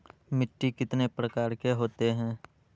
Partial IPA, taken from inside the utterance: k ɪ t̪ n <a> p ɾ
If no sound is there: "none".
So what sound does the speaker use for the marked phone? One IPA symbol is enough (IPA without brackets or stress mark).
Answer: e